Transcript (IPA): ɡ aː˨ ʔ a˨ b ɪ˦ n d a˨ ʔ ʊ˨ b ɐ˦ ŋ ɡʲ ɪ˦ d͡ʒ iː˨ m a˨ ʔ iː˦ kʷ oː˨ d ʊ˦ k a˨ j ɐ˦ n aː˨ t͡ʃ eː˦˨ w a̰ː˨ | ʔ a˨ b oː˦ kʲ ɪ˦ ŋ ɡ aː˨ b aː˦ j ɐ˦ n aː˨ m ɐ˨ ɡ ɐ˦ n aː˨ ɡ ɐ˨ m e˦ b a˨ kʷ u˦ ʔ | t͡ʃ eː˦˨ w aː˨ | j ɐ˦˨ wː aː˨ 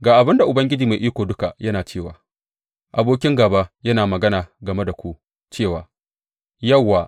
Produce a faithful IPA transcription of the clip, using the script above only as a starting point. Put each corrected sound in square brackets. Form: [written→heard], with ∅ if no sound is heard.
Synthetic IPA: ɡ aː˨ ʔ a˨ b ɪ˦ n d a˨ ʔ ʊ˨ b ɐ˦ ŋ ɡʲ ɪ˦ d͡ʒ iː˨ m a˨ ʔ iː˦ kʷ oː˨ d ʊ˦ k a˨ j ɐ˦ n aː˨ t͡ʃ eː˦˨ w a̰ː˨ | ʔ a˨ b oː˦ kʲ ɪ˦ ŋ ɡ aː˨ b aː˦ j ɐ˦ n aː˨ m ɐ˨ ɡ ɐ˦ n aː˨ ɡ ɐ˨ m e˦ [b→d] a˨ kʷ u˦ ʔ | t͡ʃ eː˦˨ w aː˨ | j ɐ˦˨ wː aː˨